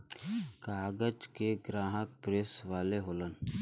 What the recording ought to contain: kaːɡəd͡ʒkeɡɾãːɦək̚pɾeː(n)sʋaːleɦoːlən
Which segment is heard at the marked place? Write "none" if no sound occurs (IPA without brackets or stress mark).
none